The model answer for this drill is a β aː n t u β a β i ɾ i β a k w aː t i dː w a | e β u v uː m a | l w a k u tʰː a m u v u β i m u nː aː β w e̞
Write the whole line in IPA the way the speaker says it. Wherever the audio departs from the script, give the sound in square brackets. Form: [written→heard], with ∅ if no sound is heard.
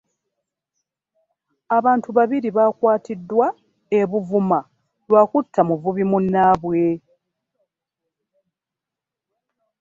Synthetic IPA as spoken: a β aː n t u β a β i ɾ i β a k w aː t i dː w a | e β u v [uː→u] m a | l w a k u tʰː a m u v u β i m u nː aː β w e̞